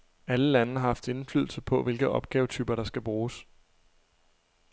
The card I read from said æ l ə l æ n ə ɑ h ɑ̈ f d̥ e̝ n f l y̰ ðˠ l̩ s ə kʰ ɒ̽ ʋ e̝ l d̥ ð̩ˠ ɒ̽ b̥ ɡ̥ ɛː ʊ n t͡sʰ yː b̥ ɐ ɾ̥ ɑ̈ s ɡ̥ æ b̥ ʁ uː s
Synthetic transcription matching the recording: æ l ə l æ n ə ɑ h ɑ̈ f d̥ e̝ n f l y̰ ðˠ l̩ s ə pʰ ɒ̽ ʋ e̝ l ɡ̥ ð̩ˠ ɒ̽ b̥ ɡ̥ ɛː ʊ t͡sʰ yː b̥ ɐ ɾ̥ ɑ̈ s ɡ̥ æ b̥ ʁ uː s